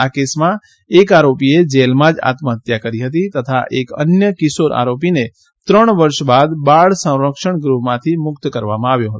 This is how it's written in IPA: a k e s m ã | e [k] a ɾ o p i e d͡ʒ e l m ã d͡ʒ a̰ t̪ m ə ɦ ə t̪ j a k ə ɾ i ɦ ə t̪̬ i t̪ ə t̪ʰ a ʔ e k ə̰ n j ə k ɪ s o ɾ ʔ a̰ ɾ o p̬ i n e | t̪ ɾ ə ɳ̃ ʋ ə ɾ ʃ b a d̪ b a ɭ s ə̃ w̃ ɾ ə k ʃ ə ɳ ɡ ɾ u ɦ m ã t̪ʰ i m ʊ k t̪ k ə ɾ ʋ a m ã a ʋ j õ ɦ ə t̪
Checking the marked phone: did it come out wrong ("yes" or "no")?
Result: no